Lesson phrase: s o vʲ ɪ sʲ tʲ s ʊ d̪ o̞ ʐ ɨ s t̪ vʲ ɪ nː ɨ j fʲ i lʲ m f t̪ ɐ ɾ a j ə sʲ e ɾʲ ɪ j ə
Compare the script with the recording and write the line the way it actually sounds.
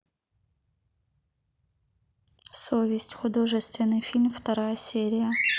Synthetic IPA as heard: s o vʲ ɪ sʲ tʲ x ʊ d̪ o̞ ʐ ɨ s t̪ vʲ ɪ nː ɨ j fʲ i lʲ m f t̪ ɐ ɾ a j ə sʲ e ɾʲ ɪ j ə

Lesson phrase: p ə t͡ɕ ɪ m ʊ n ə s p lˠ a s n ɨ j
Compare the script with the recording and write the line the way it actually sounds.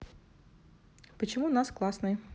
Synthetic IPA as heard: p ə t͡ɕ ɪ m u n a s k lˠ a s n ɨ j

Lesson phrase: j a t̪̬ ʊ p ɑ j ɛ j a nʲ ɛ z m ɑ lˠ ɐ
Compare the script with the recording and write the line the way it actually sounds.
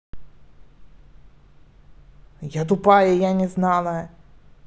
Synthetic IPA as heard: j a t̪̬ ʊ p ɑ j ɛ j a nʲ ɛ z n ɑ lˠ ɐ

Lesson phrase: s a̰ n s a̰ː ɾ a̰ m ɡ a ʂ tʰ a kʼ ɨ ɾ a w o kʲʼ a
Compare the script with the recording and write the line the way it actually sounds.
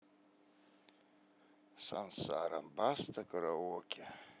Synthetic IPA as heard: s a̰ n s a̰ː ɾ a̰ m b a s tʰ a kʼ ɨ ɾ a w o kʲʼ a

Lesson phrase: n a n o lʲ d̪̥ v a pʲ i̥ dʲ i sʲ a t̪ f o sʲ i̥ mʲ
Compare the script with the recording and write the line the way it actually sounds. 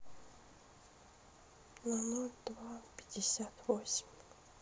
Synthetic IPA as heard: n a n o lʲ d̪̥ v a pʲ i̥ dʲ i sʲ a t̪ v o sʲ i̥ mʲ

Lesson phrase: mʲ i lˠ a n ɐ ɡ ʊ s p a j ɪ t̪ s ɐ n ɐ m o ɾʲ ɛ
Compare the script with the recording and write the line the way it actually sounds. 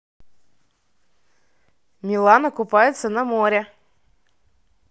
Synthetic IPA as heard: mʲ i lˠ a n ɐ k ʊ p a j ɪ t̪ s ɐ n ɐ m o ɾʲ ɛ

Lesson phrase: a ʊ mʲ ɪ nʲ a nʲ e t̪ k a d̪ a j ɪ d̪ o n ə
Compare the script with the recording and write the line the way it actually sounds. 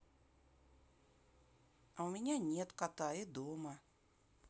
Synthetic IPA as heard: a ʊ mʲ ɪ nʲ a nʲ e t̪ k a t̪ a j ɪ d̪ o m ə

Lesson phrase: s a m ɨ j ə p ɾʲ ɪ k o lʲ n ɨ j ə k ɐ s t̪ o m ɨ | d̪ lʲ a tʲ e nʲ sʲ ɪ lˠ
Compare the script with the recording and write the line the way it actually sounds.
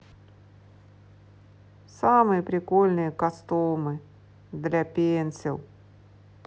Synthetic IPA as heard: s a m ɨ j ə p ɾʲ ɪ k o lʲ n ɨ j ə k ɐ s t̪ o m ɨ | d̪ lʲ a pʲ e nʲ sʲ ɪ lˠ

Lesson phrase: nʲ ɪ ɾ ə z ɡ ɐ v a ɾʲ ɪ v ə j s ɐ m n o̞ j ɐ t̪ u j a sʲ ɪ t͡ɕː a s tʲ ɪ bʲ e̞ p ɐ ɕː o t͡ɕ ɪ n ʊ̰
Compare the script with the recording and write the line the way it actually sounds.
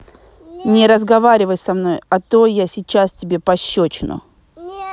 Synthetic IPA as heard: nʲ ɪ ɾ ə z ɡ ɐ v a ɾʲ ɪ v ə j s ɐ m n o̞ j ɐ t̪ o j a sʲ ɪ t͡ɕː a s tʲ ɪ bʲ e̞ p ɐ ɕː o t͡ɕ ɪ n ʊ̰

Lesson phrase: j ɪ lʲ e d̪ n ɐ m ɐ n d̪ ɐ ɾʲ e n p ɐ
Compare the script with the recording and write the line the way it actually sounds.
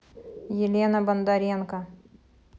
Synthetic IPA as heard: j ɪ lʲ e n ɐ b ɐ n d̪ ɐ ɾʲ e n k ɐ

